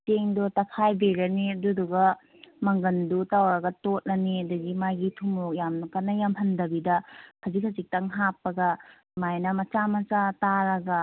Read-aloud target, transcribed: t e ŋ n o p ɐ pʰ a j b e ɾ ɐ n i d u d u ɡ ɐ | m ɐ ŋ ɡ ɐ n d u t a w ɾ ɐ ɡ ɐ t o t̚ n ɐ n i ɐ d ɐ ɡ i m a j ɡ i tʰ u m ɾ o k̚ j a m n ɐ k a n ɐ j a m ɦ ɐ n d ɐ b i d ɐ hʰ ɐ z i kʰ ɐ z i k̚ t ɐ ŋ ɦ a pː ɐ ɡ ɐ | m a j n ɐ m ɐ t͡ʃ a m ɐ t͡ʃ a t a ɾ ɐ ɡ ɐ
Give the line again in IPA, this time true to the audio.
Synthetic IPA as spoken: t e ŋ d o t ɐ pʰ a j b e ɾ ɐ n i d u d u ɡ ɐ | m ɐ ŋ ɡ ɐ n d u t a w ɾ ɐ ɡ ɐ t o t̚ n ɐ n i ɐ d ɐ ɡ i m a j ɡ i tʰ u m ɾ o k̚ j a m n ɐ k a n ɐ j a m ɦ ɐ n d ɐ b i d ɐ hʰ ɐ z i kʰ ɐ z i k̚ t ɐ ŋ ɦ a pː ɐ ɡ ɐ | m a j n ɐ m ɐ t͡ʃ a m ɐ t͡ʃ a t a ɾ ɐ ɡ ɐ